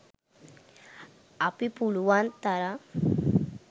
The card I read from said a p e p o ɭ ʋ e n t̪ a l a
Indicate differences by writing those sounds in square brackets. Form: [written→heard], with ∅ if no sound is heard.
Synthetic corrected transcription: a p [e→i] p [o→u] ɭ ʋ [e→a] n t̪ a [l→ɾ] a